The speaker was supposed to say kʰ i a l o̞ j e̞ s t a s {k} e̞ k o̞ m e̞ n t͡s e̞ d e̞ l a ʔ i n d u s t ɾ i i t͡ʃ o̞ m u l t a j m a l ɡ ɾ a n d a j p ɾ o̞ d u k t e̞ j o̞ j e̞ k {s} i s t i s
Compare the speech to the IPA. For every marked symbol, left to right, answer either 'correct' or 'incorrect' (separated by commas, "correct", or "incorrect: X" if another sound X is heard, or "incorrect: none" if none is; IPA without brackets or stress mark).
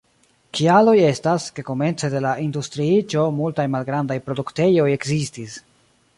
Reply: correct, incorrect: z